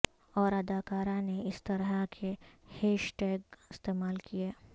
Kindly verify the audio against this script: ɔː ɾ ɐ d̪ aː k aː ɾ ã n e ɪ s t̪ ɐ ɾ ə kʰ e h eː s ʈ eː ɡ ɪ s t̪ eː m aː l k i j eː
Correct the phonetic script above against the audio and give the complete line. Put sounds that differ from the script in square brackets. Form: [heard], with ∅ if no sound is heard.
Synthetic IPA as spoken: ɔː ɾ ɐ d̪ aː k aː ɾ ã n e ɪ s t̪ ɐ ɾ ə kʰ e h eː [ʃ] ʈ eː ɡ ɪ s t̪ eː m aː l k i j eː